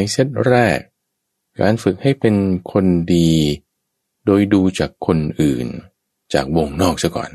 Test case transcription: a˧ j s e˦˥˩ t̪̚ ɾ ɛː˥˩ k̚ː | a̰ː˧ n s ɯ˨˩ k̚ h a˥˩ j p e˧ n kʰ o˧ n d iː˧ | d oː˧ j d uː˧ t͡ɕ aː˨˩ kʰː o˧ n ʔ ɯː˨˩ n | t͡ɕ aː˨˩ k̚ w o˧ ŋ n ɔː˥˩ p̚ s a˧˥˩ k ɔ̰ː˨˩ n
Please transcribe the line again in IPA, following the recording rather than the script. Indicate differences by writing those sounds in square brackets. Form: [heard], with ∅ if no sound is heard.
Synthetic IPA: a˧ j s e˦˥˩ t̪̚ ɾ ɛː˥˩ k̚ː | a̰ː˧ n [f] ɯ˨˩ k̚ h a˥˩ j p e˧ n kʰ o˧ n d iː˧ | d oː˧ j d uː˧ t͡ɕ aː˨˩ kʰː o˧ n ʔ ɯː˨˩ n | t͡ɕ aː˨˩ k̚ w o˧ ŋ n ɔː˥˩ [k̚] s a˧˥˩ k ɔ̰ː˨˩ n